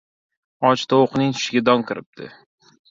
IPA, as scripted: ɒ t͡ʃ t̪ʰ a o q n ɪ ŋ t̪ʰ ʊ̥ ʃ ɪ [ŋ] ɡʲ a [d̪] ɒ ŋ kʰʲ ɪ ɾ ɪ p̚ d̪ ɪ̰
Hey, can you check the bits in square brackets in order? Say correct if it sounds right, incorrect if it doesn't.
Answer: incorrect: none, correct

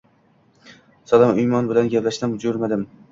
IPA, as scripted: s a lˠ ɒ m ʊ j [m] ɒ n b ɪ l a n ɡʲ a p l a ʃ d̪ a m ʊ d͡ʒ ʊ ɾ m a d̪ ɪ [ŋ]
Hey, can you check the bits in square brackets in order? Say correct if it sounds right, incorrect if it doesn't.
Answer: correct, incorrect: m

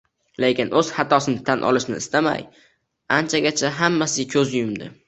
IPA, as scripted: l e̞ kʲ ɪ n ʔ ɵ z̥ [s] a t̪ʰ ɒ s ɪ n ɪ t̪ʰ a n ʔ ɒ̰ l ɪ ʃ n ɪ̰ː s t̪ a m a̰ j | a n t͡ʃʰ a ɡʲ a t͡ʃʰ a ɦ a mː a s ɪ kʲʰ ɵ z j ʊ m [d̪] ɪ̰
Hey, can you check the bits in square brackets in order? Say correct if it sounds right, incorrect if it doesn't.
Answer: incorrect: h, correct

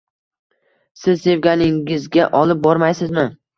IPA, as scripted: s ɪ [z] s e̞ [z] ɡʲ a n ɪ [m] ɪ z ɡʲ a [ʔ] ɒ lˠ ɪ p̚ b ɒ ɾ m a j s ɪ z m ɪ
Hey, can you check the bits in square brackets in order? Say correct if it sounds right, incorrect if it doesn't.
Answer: correct, incorrect: v, incorrect: ŋ, correct

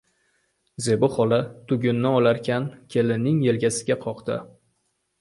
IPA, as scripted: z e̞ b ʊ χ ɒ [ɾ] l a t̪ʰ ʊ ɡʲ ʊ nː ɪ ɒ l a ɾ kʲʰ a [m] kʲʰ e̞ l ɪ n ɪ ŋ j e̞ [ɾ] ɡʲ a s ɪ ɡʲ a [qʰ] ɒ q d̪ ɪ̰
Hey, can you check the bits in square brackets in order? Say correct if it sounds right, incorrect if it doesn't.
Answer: incorrect: none, incorrect: n, incorrect: l, correct

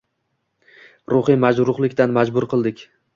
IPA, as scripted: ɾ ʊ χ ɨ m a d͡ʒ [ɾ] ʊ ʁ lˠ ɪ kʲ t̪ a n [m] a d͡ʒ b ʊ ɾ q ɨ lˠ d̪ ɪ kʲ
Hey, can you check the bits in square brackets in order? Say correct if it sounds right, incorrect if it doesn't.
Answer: correct, correct

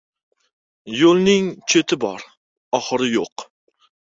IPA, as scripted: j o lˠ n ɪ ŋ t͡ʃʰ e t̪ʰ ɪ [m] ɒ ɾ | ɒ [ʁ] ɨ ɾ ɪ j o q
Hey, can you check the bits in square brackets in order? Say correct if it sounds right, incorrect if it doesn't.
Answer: incorrect: b, incorrect: χ

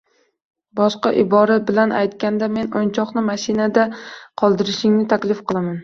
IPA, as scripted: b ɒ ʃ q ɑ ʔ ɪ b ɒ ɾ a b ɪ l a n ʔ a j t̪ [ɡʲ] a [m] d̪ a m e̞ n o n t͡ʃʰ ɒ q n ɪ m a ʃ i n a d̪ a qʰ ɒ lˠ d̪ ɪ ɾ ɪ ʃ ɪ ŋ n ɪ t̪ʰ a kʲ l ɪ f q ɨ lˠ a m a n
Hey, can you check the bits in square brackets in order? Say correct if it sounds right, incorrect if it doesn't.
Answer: incorrect: kʲ, incorrect: n

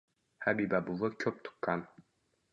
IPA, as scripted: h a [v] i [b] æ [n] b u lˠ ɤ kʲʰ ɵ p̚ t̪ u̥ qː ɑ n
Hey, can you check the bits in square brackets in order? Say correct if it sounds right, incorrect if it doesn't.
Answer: incorrect: b, correct, incorrect: none

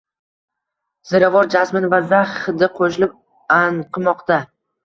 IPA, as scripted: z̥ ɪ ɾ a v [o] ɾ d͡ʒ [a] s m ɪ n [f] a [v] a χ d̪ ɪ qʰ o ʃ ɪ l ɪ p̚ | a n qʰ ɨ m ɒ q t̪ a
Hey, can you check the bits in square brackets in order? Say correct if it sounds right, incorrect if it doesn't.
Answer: incorrect: ɒ, correct, incorrect: v, incorrect: z

